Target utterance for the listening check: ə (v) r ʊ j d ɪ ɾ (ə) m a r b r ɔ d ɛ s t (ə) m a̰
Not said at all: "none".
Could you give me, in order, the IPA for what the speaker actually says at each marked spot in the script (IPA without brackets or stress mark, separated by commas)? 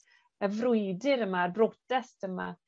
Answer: v, ə, ə